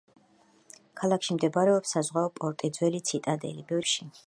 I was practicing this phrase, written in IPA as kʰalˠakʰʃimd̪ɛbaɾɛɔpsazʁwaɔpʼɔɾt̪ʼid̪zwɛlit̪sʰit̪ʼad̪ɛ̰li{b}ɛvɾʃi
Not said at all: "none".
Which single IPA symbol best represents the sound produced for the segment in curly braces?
b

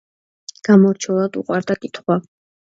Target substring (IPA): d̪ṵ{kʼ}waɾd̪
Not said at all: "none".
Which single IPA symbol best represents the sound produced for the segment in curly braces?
qʼ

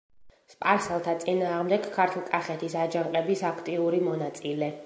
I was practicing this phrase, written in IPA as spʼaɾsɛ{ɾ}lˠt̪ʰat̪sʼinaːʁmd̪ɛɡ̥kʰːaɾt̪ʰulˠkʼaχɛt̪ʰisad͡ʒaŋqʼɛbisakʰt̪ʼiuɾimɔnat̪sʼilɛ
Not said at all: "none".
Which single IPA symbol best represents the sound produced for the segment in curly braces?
none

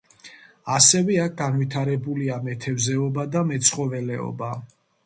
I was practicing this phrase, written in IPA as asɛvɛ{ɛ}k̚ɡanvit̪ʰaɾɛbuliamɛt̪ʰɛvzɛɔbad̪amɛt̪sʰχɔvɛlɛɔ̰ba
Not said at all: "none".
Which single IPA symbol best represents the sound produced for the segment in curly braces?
a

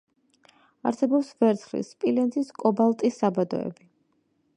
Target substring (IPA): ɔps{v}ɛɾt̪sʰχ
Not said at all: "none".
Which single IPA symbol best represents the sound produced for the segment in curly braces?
v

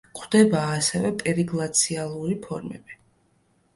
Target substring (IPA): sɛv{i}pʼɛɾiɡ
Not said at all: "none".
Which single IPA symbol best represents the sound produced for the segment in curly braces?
ɛ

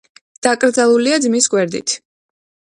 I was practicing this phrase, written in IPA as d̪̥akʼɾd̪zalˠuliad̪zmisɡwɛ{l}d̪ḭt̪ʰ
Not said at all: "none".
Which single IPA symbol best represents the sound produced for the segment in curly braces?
ɾ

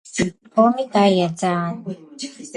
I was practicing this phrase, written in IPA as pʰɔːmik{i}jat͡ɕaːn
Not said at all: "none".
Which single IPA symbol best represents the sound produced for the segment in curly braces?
a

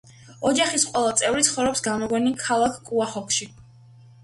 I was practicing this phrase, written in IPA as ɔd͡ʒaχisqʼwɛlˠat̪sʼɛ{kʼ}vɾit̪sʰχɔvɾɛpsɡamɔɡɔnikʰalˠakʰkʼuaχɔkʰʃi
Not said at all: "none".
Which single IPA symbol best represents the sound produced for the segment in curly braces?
none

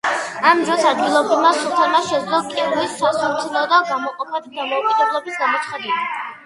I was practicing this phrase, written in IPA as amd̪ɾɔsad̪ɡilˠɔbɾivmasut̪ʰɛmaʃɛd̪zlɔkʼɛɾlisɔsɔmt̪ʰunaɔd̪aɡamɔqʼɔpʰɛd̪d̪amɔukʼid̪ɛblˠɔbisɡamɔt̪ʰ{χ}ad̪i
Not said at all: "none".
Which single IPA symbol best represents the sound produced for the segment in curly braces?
χ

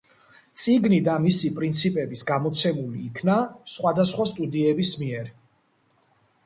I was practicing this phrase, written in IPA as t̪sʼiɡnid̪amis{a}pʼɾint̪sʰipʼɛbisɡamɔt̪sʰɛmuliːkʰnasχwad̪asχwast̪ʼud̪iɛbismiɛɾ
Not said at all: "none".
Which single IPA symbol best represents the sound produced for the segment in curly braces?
i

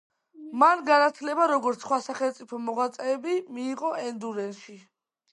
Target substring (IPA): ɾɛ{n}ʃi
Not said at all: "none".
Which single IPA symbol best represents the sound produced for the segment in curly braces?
n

